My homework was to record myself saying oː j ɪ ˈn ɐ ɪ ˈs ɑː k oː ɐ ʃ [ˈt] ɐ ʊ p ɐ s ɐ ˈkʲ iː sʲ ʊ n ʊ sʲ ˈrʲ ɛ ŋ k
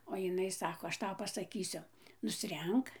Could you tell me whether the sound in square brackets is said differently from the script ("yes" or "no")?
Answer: no